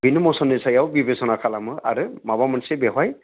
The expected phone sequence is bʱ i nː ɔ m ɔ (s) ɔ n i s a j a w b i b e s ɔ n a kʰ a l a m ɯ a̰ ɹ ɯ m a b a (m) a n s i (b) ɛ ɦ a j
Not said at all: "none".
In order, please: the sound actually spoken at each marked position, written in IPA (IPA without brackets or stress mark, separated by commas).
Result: s, m, b